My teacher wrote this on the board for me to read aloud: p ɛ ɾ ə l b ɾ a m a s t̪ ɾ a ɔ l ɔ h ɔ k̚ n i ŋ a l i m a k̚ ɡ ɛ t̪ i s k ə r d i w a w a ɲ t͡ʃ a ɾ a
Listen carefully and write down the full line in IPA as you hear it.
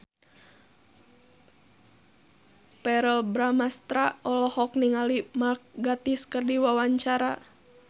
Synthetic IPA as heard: p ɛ ɾ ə l b ɾ a m a s t̪ ɾ a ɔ l ɔ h ɔ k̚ n i ŋ a l i m a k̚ ɡ a t̪ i s k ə r d i w a w a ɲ t͡ʃ a ɾ a